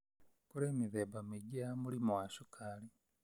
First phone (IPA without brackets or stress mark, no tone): k